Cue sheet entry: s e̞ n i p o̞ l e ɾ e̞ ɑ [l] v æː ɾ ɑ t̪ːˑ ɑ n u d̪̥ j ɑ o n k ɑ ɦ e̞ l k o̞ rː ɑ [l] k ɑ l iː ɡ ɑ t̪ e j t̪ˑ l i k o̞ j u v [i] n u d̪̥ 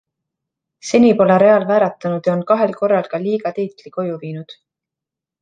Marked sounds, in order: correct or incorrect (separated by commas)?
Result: correct, correct, incorrect